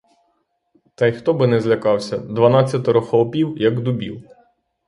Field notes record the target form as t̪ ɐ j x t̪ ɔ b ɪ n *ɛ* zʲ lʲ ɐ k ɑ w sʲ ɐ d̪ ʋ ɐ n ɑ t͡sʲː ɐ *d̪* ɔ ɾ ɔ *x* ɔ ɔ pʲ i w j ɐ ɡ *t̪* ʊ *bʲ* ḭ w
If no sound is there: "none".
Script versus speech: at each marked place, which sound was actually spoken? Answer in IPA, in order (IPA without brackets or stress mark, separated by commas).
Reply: ɛ, t̪, x, d̪, bʲ